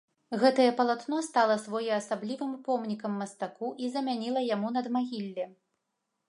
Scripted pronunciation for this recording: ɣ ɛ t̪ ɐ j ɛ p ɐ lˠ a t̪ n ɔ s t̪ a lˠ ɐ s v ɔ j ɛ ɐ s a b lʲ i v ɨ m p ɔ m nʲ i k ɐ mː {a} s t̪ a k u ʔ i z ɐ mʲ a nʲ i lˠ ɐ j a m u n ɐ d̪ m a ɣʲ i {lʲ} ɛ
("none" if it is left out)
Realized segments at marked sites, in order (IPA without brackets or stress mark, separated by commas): ɐ, lʲː